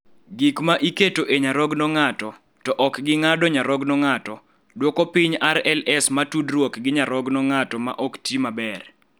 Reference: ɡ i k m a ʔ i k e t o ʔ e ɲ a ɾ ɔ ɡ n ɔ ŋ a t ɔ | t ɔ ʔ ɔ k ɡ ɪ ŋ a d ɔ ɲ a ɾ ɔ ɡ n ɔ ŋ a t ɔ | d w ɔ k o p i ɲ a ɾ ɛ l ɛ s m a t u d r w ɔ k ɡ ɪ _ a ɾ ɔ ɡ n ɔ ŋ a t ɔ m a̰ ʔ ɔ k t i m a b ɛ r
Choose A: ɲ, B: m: A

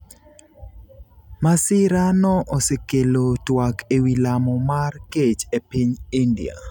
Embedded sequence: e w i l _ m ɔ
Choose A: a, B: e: A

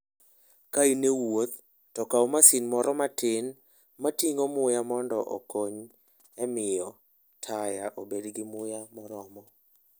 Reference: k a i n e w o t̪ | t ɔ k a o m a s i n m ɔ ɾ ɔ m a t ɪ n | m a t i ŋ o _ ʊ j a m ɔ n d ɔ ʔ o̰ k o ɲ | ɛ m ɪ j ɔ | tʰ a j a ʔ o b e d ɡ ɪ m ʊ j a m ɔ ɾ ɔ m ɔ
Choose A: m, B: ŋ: A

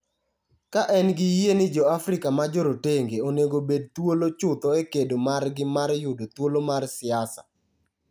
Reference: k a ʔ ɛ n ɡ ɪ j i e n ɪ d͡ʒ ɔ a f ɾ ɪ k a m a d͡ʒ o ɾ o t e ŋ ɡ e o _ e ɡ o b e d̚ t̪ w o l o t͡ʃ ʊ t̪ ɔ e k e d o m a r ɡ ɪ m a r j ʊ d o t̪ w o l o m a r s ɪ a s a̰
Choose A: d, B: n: B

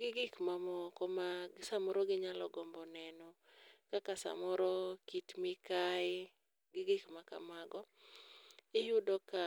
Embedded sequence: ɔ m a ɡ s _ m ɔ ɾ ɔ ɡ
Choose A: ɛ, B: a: B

